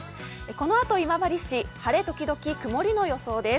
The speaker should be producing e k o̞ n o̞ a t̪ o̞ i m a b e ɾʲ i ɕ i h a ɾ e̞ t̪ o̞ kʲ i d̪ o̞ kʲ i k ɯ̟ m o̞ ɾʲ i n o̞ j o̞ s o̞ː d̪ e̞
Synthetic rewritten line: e k o̞ n o̞ a t̪ o̞ i m a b a ɾʲ i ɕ i h a ɾ e̞ t̪ o̞ kʲ i d̪ o̞ kʲ i k ɯ̟ m o̞ ɾʲ i n o̞ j o̞ s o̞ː d̪ e̞